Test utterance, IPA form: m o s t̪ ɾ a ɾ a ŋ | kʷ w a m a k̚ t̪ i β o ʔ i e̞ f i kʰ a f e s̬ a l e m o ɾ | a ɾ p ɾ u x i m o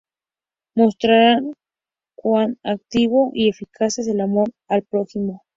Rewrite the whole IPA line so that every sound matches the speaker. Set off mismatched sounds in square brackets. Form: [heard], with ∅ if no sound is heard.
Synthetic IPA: m o s t̪ ɾ a ɾ a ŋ | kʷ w a [n] a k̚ t̪ i β o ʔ i e̞ f i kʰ a [s] e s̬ [e] l [a] m o ɾ | a [l] p ɾ [o] x i m o